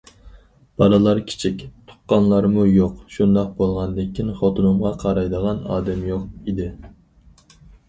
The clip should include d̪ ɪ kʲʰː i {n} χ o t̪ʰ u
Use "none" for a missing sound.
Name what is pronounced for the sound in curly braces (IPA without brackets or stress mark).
n